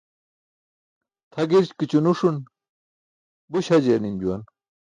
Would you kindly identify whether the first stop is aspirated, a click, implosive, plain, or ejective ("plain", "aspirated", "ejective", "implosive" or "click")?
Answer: aspirated